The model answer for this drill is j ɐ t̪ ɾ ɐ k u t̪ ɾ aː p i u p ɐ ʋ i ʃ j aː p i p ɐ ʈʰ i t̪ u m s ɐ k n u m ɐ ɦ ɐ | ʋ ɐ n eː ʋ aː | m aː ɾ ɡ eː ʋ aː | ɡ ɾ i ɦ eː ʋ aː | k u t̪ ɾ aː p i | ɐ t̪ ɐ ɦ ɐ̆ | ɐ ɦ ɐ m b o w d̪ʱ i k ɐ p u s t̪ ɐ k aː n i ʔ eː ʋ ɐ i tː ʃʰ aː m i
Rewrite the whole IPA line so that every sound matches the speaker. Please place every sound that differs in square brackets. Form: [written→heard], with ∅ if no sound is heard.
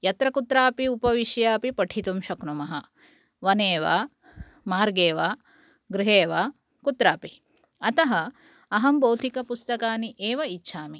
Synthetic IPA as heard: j ɐ t̪ ɾ ɐ k u t̪ ɾ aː p i u p ɐ ʋ i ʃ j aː p i p ɐ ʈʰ i t̪ u m [s→ʃ] ɐ k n u m ɐ ɦ ɐ | ʋ ɐ n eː ʋ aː | m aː ɾ ɡ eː ʋ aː | ɡ ɾ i ɦ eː ʋ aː | k u t̪ ɾ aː p i | ɐ t̪ ɐ ɦ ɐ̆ | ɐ ɦ ɐ m b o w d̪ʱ i k ɐ p u s t̪ ɐ k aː n i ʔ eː ʋ ɐ i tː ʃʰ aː m i